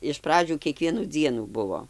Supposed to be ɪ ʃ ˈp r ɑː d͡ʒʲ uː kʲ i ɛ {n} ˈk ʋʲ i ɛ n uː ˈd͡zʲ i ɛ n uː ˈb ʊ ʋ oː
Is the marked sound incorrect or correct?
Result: incorrect